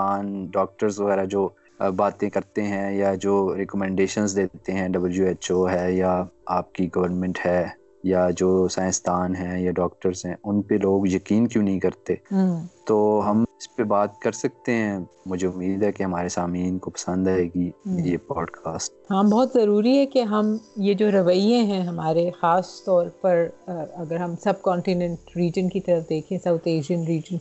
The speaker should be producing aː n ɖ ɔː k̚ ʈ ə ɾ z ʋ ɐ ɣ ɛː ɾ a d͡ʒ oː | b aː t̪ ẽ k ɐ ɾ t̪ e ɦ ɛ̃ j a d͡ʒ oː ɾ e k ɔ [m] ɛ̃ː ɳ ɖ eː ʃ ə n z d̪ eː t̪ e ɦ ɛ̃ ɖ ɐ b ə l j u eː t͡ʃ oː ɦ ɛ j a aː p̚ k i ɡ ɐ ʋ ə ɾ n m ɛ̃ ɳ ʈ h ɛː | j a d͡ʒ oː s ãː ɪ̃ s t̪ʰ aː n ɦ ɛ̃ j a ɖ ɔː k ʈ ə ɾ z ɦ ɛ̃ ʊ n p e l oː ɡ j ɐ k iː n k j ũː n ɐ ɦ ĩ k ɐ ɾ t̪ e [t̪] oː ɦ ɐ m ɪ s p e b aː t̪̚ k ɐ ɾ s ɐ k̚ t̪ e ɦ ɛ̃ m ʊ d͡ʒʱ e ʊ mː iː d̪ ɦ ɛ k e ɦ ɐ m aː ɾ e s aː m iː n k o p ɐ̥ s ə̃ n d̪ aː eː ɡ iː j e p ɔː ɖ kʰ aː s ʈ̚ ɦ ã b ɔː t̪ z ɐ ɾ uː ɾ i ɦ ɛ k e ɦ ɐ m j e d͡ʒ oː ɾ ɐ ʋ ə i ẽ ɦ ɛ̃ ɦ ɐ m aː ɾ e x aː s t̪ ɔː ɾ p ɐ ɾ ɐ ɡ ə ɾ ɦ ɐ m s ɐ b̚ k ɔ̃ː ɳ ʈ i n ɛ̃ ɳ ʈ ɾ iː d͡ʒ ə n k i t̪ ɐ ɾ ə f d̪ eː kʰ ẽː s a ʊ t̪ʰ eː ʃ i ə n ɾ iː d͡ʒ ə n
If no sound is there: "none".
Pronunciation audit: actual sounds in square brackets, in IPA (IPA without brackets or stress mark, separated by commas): m, t̪